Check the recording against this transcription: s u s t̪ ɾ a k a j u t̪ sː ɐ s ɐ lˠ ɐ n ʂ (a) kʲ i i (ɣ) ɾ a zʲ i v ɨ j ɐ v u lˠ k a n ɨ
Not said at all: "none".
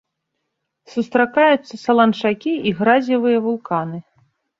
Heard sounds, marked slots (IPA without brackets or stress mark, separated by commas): a, ɣ